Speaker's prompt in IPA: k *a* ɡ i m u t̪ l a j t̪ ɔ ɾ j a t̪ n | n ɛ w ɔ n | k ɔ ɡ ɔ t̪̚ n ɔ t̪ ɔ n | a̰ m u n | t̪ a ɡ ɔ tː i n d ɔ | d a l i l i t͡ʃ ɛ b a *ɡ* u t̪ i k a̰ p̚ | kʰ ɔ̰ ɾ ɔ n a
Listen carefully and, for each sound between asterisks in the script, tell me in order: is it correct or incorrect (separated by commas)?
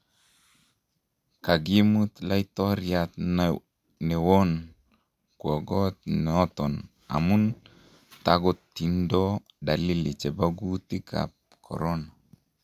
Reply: correct, correct